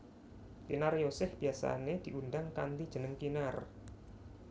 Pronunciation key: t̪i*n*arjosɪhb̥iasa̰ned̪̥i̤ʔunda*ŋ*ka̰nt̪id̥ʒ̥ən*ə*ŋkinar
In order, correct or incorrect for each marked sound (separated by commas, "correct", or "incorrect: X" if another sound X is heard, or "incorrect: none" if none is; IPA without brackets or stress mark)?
correct, correct, correct